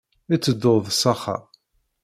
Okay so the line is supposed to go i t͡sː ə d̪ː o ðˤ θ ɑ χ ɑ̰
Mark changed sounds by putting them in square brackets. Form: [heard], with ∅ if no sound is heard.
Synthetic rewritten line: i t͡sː ə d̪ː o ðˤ [s] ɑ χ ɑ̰